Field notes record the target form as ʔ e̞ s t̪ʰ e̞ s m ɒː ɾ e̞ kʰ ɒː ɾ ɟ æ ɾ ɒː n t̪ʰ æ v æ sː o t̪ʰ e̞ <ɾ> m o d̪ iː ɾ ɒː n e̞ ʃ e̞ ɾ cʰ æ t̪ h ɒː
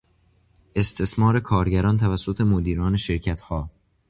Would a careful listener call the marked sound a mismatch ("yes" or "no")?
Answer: yes